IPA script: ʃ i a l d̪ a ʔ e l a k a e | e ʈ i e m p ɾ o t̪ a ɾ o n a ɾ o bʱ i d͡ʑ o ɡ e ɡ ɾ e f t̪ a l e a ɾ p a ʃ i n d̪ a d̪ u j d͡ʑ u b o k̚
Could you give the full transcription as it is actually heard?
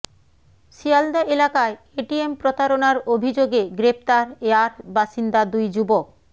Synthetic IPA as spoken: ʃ i a l d̪ a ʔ e l a k a e | e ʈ i e m p ɾ o t̪ a ɾ o n a ɾ o bʱ i d͡ʑ o ɡ e ɡ ɾ e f t̪ a ɾ e a ɾ b a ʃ i n d̪ a d̪ u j d͡ʑ u b o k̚